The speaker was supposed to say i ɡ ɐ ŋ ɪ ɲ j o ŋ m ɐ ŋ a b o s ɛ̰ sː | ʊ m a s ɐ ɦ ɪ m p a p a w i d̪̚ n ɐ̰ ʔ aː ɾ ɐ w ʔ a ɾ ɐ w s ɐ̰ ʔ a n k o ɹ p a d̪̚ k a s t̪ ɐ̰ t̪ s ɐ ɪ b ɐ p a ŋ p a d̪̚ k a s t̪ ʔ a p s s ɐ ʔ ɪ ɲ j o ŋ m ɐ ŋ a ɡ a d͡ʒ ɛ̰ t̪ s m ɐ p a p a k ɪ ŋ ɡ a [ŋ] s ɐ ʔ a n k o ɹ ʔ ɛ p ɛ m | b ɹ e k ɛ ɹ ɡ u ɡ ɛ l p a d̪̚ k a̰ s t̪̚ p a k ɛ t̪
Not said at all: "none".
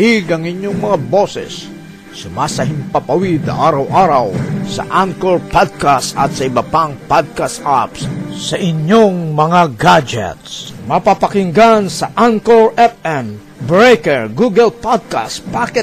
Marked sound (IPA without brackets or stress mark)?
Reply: n